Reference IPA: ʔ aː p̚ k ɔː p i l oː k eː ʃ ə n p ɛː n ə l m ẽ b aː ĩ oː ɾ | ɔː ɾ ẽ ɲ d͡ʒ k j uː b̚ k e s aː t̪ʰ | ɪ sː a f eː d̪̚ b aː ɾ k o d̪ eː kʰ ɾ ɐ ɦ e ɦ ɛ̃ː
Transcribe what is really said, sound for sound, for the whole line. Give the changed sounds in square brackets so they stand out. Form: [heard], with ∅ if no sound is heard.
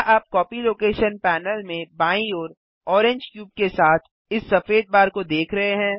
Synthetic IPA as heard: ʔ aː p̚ k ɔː p i l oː k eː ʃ ə n p ɛː n ə l m ẽ b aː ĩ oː ɾ | ɔː ɾ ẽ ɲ d͡ʒ k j uː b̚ k e s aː t̪ʰ | ɪ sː [ɐ] f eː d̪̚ b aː ɾ k o d̪ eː kʰ ɾ ɐ ɦ e ɦ ɛ̃ː